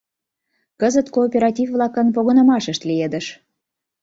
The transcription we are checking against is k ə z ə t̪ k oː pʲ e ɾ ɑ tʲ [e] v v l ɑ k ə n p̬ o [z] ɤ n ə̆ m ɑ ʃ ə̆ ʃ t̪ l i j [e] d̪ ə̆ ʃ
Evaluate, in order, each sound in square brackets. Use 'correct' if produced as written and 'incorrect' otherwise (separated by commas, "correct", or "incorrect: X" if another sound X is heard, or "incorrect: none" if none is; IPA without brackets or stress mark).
incorrect: i, incorrect: ɣ, correct